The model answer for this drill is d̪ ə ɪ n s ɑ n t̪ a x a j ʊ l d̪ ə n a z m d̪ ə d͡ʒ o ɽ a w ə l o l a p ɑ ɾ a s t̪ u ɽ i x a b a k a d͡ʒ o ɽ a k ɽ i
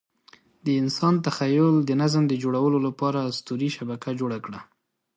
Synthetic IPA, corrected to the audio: d̪ ə ɪ n s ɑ n t̪ a x a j ʊ l d̪ ə n a z m d̪ ə d͡ʒ o ɽ a w ə l o l a p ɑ ɾ a s t̪ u ɾ i ʃ a b a k a d͡ʒ o ɽ a k ɽ a